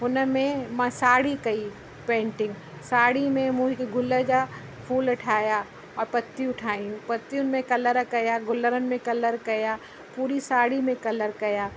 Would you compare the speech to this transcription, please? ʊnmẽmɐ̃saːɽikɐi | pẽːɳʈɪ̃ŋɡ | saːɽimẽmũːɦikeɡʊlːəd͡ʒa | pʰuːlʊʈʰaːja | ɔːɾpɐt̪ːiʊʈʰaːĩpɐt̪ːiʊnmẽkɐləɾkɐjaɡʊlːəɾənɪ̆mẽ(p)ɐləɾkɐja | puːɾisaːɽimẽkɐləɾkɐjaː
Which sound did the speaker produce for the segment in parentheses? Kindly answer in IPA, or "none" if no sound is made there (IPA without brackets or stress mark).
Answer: k